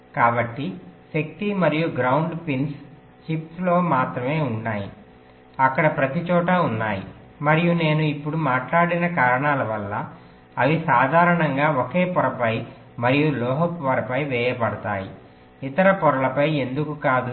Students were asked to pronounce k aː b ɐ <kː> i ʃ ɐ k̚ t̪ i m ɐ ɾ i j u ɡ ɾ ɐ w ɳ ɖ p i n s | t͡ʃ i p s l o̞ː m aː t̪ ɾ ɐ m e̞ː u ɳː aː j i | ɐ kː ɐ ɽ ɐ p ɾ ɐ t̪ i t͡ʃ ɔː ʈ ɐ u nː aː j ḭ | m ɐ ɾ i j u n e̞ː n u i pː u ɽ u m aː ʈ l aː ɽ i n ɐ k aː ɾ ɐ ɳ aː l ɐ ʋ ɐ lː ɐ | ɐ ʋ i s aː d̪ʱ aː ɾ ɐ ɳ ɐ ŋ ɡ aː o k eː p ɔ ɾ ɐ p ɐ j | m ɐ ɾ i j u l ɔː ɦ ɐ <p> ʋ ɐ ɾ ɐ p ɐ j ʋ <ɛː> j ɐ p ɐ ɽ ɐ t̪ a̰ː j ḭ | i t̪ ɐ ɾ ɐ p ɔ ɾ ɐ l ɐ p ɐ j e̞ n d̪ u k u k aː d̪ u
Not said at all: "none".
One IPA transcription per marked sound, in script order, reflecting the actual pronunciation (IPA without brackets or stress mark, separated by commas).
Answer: ʈː, p, ɛː